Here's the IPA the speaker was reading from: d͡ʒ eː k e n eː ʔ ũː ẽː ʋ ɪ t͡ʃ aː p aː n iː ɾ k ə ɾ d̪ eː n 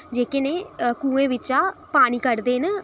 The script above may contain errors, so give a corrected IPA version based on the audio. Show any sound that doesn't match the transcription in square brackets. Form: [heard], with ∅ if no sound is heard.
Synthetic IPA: d͡ʒ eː k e n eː [k] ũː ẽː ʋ ɪ t͡ʃ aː p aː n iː [∅] k ə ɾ d̪ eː n

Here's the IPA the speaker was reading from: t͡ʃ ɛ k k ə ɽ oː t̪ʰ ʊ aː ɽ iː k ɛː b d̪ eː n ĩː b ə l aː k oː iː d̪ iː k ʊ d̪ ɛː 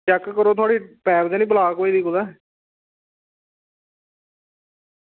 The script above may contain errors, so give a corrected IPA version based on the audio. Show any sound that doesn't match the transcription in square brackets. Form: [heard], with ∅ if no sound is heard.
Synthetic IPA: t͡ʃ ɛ k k ə [ɾ] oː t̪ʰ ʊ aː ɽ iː [p] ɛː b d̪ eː n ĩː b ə l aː k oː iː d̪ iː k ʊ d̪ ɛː

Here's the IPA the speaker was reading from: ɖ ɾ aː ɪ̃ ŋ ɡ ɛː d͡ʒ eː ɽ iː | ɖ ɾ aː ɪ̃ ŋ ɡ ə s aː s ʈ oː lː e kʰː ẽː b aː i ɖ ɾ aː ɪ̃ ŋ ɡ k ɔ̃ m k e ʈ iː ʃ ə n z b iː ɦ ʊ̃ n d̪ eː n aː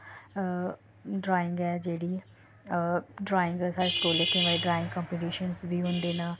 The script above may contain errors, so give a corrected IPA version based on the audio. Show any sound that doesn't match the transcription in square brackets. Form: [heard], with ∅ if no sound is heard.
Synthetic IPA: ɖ ɾ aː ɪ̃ ŋ ɡ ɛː d͡ʒ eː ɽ iː | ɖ ɾ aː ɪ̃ ŋ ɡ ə s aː s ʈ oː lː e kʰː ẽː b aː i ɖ ɾ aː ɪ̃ ŋ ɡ k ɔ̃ m [p] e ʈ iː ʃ ə n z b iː ɦ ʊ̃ n d̪ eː n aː

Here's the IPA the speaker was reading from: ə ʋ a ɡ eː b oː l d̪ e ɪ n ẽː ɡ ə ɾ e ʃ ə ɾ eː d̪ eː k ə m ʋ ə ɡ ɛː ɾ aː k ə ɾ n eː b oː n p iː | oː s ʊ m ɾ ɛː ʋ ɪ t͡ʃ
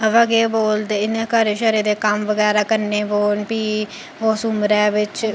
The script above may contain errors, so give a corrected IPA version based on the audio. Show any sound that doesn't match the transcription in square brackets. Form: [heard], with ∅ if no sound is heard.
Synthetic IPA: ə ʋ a ɡ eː b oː l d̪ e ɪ n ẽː [k] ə ɾ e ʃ ə ɾ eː d̪ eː k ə m ʋ ə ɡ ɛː ɾ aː k ə ɾ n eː b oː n p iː | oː s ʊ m ɾ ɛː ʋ ɪ t͡ʃ

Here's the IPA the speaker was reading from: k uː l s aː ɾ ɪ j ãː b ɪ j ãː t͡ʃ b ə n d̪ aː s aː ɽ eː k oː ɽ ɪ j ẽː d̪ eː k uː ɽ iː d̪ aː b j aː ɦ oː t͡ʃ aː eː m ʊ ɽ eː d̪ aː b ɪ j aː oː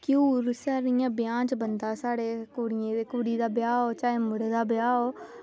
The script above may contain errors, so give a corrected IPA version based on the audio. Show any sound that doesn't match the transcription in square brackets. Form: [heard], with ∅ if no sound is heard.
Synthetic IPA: k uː [ɾ] s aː ɾ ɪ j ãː b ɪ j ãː t͡ʃ b ə n d̪ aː s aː ɽ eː k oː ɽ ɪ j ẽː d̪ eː k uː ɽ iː d̪ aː b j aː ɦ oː t͡ʃ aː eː m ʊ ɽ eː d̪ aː b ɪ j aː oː

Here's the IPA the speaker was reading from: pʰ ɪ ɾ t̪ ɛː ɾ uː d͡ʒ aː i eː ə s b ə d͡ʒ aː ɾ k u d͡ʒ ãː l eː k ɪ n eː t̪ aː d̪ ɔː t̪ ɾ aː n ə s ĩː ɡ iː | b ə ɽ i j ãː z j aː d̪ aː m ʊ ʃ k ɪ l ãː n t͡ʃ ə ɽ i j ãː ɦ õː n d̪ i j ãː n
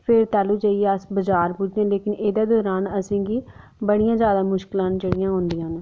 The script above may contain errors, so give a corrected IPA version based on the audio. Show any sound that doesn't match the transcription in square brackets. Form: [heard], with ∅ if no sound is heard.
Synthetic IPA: pʰ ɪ ɾ t̪ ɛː [l] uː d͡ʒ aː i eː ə s b ə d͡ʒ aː ɾ [p] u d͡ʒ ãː l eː k ɪ n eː [d̪] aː d̪ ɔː [∅] ɾ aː n ə s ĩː ɡ iː | b ə ɽ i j ãː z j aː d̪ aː m ʊ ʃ k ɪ l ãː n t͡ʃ ə ɽ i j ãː ɦ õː n d̪ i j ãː n

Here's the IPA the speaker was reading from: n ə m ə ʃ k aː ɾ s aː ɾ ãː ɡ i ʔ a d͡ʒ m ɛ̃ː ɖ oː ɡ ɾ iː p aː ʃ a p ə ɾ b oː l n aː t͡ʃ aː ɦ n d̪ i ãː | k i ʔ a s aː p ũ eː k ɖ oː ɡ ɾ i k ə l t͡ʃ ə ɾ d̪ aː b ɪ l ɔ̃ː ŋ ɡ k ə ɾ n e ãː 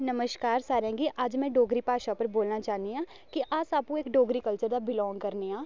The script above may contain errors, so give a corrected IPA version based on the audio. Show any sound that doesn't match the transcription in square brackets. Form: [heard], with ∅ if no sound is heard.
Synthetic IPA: n ə m ə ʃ k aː ɾ s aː ɾ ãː ɡ i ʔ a d͡ʒ m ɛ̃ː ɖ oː ɡ ɾ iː p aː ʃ a p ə ɾ b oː l n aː t͡ʃ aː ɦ n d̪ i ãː | k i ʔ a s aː p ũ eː k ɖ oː ɡ ɾ i k ə l t͡ʃ ə ɾ d̪ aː b ɪ l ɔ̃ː ŋ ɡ k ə ɾ n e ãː

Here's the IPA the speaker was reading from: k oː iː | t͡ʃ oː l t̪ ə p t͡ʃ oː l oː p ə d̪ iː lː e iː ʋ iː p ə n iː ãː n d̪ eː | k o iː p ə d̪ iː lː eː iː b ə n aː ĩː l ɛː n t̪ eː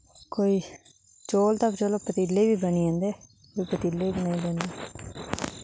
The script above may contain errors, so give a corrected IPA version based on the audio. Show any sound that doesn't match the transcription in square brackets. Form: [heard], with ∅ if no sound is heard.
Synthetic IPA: k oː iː | t͡ʃ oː l t̪ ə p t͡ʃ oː l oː p ə [t̪] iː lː e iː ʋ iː [b] ə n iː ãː n d̪ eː | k o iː p ə [t̪] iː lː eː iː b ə n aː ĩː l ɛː n [d̪] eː

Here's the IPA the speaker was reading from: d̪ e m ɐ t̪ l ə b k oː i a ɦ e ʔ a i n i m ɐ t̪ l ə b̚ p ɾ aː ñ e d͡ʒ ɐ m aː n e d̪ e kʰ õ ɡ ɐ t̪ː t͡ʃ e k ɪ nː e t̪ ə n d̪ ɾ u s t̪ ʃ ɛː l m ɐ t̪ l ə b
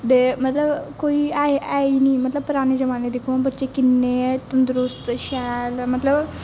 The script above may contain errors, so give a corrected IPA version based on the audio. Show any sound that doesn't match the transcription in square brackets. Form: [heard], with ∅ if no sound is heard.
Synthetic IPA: d̪ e m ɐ t̪ l ə b k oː i a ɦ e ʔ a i n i m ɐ t̪ l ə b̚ p ɾ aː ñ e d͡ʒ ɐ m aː n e d̪ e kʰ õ [b] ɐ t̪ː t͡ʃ e k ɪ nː e t̪ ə n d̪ ɾ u s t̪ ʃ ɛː l m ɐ t̪ l ə b

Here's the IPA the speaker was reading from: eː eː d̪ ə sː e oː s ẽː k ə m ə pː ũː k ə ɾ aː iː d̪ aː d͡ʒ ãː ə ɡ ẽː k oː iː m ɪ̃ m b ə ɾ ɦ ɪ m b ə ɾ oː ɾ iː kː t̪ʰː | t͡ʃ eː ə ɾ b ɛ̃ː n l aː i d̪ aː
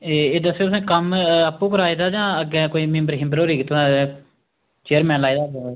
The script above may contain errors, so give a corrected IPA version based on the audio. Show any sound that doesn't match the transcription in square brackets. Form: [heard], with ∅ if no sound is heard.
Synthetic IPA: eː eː d̪ ə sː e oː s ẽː k ə m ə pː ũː k ə ɾ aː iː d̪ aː d͡ʒ ãː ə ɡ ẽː k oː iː m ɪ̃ m b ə ɾ ɦ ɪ m b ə ɾ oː ɾ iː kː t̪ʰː | t͡ʃ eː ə ɾ [m] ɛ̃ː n l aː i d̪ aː

